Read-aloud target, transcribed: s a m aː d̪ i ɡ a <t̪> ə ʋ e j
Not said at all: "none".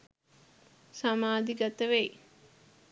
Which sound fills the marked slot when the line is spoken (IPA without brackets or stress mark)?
t̪